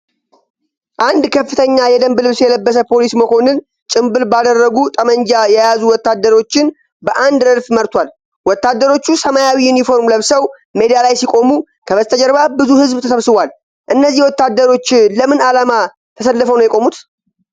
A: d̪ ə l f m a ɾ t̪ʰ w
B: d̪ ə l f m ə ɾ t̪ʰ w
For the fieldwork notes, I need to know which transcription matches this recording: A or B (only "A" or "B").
B